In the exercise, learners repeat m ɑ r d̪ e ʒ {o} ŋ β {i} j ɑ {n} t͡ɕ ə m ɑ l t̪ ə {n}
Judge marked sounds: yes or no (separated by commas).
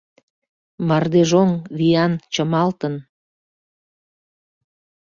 yes, yes, yes, yes